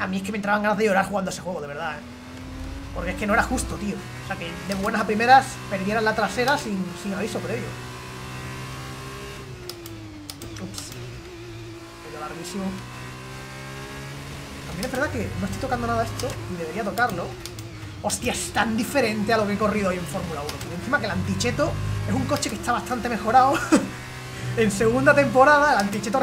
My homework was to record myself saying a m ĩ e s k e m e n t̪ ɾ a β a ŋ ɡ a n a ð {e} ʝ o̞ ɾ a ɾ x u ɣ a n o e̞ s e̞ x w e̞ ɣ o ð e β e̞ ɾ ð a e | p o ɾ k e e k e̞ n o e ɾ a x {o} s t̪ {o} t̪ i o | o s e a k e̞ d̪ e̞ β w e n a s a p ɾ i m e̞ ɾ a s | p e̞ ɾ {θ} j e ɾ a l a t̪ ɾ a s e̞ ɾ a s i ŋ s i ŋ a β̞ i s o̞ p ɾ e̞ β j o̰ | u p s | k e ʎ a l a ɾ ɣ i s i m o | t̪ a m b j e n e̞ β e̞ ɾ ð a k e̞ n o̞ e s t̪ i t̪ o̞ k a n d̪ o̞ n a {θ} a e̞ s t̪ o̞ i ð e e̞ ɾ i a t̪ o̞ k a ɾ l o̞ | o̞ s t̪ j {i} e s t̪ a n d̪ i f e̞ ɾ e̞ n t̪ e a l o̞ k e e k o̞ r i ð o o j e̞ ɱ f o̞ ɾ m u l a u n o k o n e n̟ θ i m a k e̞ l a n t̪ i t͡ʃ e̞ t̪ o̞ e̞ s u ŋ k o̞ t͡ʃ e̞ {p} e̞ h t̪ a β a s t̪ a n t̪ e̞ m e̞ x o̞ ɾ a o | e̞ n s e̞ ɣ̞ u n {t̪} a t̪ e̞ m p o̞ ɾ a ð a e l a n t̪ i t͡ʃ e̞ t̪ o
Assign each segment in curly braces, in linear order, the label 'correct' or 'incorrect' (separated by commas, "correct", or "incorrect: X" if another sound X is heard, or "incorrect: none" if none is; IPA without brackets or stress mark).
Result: correct, incorrect: u, correct, incorrect: ð, incorrect: ð, incorrect: a, incorrect: k, incorrect: d̪